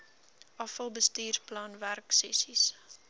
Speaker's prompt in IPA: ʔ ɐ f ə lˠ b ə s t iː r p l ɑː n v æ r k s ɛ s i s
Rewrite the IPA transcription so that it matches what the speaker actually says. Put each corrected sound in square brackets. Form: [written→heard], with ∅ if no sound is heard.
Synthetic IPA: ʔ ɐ f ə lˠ b ə s t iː r p l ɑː n v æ r k s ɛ s i s